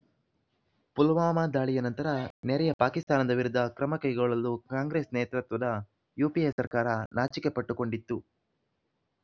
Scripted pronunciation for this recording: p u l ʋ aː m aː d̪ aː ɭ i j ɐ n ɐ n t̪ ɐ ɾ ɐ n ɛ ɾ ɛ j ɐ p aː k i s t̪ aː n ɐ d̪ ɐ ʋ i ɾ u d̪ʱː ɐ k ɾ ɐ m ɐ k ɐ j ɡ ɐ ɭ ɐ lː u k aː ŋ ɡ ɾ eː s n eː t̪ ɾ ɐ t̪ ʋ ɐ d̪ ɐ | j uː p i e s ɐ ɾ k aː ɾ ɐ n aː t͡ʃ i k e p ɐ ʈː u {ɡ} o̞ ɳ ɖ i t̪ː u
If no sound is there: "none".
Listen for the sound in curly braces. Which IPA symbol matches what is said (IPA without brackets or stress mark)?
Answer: k